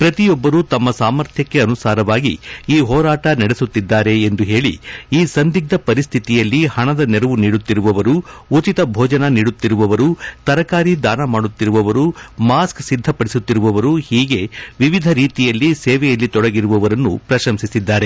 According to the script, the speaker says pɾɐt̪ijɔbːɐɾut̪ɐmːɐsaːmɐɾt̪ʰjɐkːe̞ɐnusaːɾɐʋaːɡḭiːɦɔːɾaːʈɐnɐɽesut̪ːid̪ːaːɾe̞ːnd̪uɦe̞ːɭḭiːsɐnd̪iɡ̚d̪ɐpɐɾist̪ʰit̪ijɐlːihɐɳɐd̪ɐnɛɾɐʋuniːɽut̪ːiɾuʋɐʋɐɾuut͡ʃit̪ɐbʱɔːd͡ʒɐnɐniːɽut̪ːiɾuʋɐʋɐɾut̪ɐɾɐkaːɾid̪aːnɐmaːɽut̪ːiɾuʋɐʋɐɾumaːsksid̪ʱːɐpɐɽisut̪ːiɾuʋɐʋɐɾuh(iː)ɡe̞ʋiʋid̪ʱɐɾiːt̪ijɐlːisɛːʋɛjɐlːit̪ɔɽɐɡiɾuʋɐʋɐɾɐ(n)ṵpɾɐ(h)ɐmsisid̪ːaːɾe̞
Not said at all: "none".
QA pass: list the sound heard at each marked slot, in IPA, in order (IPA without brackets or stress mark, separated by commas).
iː, nː, ʃ